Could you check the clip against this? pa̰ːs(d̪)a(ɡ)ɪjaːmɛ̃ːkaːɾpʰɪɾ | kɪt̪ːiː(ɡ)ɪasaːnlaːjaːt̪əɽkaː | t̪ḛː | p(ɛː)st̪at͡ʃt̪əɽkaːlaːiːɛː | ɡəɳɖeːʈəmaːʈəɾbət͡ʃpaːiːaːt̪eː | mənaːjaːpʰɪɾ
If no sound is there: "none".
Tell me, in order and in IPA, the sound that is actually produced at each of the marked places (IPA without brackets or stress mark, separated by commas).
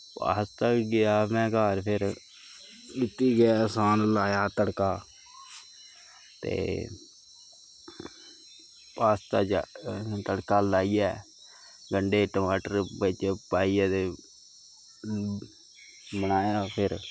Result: t̪, ɡ, ɡ, aː